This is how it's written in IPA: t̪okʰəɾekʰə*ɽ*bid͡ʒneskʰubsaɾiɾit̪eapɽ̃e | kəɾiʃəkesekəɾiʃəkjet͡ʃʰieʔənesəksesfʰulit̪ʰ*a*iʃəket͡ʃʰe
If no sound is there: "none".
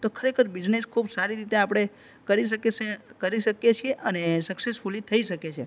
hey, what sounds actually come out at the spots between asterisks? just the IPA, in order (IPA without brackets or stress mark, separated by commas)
ɾ, ə